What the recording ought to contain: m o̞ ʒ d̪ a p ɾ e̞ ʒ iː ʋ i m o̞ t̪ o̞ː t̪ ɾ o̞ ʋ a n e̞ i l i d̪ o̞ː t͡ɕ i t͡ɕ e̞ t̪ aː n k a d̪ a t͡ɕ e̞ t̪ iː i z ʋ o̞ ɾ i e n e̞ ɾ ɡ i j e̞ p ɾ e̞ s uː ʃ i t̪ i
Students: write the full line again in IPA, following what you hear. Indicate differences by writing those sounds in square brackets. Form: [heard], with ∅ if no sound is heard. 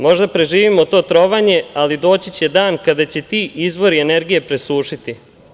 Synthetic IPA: m o̞ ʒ d̪ a p ɾ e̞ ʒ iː ʋ i m o̞ t̪ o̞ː t̪ ɾ o̞ ʋ a [ɲ] e̞ [a] l i d̪ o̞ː t͡ɕ i t͡ɕ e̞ [d̪] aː n k a d̪ a t͡ɕ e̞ t̪ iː i z ʋ o̞ ɾ i e n e̞ ɾ ɡ i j e̞ p ɾ e̞ s uː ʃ i t̪ i